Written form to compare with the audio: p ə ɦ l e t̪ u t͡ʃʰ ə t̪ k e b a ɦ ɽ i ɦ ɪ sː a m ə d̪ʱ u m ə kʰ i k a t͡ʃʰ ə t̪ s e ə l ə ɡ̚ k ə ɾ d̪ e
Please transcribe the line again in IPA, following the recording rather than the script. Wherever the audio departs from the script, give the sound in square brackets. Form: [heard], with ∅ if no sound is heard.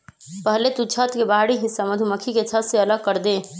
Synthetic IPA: p ə ɦ l e t̪ u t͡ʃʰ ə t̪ k e b a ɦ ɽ i ɦ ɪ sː a m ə d̪ʱ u m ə kʰ i k [e] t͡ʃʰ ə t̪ s e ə l ə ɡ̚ k ə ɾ d̪ e